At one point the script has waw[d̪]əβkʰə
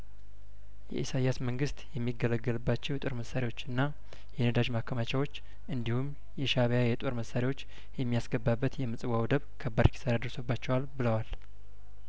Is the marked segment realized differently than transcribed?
no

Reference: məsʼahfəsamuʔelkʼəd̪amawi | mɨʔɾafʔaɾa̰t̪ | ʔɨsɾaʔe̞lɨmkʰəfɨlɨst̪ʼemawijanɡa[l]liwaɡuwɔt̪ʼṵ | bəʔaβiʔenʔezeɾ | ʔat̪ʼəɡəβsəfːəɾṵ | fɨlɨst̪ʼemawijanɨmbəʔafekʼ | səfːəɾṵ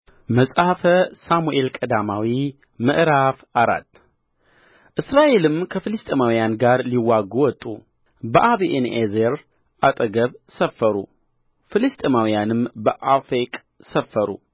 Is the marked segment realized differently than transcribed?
yes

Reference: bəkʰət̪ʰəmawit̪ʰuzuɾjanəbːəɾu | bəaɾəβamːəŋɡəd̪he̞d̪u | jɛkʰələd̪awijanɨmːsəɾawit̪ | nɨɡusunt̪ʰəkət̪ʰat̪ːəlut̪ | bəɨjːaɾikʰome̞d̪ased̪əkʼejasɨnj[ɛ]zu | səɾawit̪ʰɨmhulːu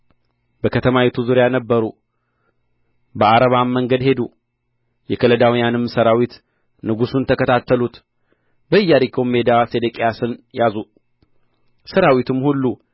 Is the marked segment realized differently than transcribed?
yes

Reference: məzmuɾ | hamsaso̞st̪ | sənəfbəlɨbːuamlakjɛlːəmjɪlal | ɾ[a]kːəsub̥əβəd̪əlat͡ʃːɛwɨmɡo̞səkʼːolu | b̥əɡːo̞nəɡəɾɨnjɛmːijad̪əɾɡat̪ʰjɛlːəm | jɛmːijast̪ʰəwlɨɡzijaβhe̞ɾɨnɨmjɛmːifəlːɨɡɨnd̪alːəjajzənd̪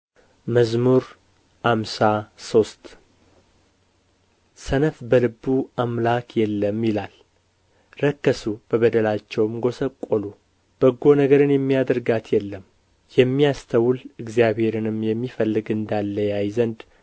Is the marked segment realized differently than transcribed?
yes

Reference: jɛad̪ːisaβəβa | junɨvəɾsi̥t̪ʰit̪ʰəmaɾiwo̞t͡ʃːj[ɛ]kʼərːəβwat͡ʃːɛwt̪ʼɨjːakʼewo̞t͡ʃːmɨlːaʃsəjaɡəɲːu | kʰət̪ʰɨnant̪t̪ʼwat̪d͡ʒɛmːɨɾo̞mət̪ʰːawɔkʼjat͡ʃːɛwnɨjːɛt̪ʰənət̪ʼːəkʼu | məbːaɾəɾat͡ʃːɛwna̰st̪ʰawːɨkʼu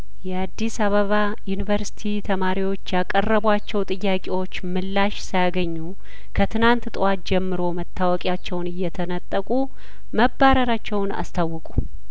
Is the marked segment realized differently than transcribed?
yes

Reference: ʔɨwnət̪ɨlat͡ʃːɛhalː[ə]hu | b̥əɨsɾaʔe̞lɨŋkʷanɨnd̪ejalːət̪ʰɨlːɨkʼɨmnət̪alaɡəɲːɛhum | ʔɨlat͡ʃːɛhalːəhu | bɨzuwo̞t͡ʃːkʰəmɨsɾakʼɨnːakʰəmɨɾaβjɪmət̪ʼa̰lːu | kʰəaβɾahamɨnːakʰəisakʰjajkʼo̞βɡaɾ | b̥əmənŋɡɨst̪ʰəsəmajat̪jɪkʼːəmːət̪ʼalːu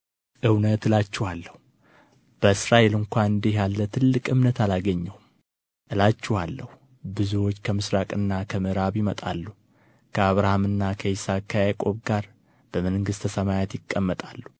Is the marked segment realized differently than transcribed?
no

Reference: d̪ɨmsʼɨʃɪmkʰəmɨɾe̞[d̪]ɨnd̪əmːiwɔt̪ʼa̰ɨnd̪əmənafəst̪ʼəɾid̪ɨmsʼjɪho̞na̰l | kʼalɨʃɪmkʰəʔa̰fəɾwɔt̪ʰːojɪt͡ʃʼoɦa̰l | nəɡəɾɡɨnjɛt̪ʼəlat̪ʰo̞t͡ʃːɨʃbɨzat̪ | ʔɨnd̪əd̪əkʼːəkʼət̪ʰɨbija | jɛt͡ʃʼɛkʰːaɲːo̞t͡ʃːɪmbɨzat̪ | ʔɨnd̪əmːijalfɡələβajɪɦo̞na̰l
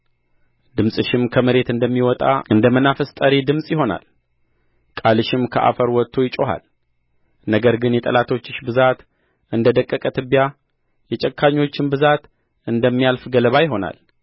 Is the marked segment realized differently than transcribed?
yes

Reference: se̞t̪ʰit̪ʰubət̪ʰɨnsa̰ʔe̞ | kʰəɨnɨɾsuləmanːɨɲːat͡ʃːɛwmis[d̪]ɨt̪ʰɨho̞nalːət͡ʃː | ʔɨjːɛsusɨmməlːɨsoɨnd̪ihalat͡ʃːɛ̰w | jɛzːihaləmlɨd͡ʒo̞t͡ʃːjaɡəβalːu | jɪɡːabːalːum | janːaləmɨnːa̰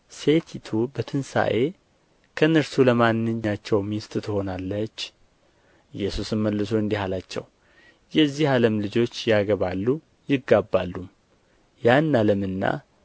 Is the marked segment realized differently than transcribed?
yes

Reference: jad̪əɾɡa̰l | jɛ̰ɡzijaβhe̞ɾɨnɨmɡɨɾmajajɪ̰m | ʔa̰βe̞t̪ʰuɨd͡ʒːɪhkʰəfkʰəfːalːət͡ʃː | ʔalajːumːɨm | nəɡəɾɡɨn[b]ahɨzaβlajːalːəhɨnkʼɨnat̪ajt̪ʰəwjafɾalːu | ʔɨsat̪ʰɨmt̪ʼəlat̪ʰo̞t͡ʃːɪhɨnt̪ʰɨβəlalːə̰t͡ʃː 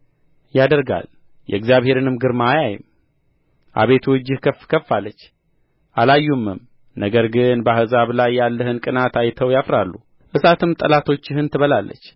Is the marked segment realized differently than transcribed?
no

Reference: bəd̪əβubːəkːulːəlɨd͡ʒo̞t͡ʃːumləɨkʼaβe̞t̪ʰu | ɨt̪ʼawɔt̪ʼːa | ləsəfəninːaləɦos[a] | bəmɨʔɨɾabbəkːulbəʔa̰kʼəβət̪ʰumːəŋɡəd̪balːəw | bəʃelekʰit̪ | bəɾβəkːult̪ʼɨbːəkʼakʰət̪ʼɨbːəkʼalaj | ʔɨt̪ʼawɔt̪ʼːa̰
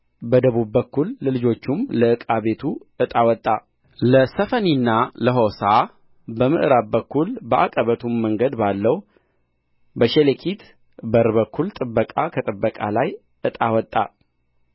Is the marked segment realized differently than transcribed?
no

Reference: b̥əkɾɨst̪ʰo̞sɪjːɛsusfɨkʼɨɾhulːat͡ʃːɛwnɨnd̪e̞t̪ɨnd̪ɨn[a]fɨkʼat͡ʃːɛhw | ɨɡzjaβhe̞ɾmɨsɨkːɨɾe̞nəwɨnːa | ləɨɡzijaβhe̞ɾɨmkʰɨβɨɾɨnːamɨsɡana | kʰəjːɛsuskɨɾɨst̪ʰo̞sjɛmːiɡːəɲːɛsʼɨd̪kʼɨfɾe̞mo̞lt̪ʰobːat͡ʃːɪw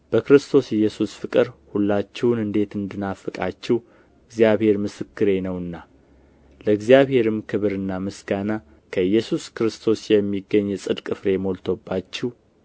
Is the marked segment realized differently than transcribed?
no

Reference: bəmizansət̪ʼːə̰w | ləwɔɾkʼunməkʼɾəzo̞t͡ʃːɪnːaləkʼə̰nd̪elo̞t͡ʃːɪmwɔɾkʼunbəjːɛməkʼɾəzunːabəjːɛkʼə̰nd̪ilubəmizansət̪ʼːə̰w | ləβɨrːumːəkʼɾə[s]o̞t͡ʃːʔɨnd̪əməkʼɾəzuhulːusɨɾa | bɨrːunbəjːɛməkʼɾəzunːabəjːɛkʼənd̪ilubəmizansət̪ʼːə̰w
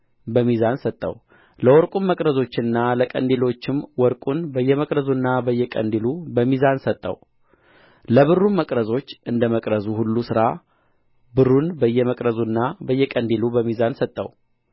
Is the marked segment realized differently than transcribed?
yes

